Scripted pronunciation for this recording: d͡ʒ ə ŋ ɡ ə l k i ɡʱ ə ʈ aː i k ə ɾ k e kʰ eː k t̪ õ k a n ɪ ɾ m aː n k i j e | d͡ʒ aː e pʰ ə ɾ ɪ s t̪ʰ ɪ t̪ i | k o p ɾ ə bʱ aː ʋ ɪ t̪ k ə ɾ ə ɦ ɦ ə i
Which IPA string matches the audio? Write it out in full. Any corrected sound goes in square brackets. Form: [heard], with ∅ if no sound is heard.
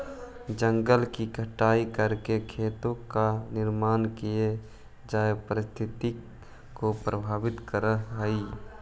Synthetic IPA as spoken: d͡ʒ ə ŋ ɡ ə l k i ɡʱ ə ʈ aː i k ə ɾ k e kʰ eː [∅] t̪ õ k a n ɪ ɾ m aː n k i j e | d͡ʒ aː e [p] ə ɾ ɪ s t̪ʰ ɪ t̪ i | k o p ɾ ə bʱ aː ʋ ɪ t̪ k ə ɾ ə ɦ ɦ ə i